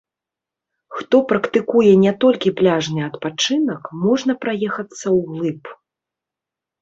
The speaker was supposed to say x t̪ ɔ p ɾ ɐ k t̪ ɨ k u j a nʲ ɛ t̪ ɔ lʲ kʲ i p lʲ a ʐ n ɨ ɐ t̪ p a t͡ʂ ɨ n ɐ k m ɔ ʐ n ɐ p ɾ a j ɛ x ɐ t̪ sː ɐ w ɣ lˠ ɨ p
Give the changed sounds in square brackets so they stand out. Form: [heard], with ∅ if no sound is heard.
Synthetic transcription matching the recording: x t̪ ɔ p ɾ ɐ k t̪ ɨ k u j [ɛ] nʲ ɛ t̪ ɔ lʲ kʲ i p lʲ a ʐ n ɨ ɐ t̪ p a t͡ʂ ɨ n ɐ k m ɔ ʐ n ɐ p ɾ a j ɛ x ɐ t̪ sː ɐ w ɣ lˠ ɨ p